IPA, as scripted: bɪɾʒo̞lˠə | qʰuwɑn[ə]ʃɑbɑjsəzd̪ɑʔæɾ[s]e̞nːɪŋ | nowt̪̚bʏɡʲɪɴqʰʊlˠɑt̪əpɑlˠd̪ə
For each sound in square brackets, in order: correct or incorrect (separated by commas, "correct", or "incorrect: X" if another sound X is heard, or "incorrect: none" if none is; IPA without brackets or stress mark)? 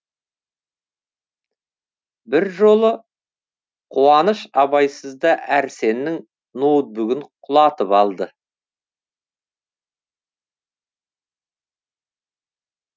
correct, correct